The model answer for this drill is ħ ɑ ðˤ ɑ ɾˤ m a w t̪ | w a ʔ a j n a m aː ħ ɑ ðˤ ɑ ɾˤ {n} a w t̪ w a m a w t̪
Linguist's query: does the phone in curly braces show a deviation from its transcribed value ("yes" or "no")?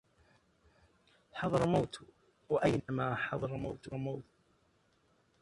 yes